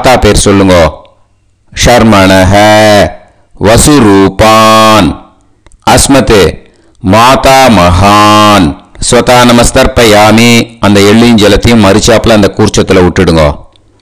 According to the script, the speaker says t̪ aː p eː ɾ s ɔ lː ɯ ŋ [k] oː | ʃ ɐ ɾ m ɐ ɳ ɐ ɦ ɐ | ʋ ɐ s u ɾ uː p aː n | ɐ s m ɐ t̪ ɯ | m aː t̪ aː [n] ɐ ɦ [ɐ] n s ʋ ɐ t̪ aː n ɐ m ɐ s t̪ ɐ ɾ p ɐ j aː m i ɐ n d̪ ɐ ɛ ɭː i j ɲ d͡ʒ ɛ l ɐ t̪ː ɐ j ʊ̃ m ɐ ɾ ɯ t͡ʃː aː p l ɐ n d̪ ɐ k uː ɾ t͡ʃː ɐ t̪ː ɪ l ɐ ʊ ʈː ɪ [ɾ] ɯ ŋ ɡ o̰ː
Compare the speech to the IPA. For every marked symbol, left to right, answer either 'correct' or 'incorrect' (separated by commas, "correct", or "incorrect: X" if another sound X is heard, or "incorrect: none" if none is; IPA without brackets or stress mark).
incorrect: ɡ, incorrect: m, incorrect: a, incorrect: ɽ